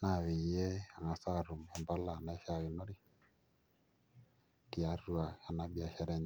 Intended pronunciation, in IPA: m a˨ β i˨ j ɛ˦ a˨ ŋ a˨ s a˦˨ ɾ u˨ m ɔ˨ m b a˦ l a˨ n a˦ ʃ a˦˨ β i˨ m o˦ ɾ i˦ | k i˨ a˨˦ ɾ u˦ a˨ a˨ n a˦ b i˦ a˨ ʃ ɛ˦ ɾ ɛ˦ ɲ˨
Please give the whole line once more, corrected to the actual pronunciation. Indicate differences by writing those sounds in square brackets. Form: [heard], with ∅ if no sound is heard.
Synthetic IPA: [n] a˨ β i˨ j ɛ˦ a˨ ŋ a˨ s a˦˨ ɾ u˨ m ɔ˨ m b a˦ l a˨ n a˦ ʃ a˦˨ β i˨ [n] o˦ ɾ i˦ | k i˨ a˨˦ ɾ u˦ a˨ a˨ n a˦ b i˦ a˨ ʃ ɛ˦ ɾ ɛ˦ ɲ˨